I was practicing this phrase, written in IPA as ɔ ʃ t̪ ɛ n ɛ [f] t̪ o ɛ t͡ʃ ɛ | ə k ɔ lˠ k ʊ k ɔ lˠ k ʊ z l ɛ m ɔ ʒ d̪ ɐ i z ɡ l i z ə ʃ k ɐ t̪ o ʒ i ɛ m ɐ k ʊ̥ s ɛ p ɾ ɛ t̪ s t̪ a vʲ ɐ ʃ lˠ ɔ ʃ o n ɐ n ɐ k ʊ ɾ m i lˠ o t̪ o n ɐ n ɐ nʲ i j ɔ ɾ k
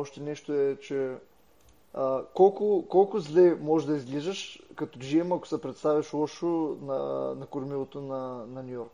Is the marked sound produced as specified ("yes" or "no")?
no